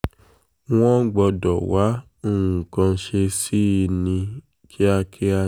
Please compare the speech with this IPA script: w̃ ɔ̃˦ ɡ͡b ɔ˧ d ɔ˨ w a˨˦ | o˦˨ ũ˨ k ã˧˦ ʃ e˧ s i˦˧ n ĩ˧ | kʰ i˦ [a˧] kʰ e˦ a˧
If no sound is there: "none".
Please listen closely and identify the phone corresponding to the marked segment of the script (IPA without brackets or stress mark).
a˧